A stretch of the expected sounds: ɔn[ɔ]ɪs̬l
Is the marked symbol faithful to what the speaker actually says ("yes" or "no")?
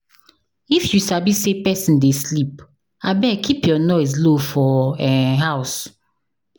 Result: yes